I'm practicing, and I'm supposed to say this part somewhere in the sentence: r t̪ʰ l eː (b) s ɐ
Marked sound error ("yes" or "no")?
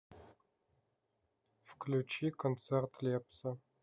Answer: yes